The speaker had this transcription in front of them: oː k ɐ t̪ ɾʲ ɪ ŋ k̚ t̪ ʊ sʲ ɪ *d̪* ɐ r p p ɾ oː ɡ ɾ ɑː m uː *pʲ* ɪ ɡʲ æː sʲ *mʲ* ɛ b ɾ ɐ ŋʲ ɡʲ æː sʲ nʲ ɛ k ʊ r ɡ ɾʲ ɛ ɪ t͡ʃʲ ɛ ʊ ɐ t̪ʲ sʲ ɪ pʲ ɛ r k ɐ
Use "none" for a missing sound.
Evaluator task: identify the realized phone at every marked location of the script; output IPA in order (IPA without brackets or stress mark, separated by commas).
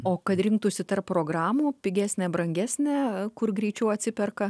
t̪, pʲ, nʲ